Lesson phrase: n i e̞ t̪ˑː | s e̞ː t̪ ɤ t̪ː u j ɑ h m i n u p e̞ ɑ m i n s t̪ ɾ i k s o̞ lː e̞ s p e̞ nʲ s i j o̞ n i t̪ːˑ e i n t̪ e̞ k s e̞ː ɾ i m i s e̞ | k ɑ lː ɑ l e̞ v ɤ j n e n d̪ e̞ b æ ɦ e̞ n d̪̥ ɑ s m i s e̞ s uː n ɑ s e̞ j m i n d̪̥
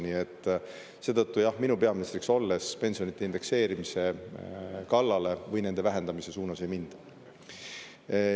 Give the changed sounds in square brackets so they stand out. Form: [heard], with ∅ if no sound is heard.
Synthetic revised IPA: n i e̞ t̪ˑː | s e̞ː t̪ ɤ t̪ː u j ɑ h m i n u p e̞ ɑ m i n s t̪ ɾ i k s o̞ lː e̞ s p e̞ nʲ s i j o̞ n i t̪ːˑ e i n [d̪] e̞ k s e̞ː ɾ i m i s e̞ | k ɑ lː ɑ l e̞ v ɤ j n e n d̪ e̞ [v] æ ɦ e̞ n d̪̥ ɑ [∅] m i s e̞ s uː n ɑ s e̞ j m i n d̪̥